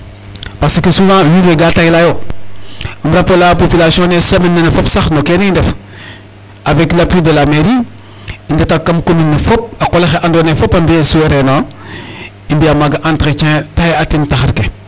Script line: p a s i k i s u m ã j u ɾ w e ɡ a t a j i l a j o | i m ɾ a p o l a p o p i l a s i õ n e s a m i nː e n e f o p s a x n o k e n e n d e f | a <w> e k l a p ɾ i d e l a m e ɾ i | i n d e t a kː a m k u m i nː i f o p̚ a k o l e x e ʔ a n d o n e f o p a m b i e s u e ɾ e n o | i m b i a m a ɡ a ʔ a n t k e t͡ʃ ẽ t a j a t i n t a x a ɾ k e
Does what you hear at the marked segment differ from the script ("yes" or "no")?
yes